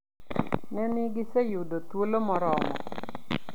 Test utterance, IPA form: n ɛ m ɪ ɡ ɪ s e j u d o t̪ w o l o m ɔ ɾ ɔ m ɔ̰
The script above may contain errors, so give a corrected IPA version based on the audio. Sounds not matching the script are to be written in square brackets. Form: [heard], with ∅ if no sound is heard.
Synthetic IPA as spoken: n ɛ [n] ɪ ɡ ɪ s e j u d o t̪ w o l o m ɔ ɾ ɔ m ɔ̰